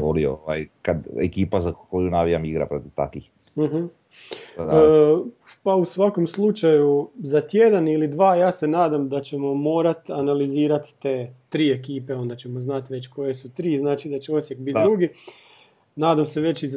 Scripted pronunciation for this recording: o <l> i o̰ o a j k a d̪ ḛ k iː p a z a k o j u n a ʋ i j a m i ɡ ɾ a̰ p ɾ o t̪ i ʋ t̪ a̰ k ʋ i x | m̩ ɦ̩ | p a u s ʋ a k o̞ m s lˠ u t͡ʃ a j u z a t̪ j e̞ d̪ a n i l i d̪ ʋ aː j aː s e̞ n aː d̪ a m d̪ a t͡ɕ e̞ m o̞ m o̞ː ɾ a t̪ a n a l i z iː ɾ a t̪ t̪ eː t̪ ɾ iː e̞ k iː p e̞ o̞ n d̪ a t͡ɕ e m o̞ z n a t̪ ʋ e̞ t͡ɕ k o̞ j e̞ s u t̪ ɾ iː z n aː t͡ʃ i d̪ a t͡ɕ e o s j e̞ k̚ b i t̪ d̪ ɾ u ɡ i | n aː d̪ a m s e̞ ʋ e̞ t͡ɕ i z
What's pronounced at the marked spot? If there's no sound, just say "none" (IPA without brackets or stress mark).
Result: l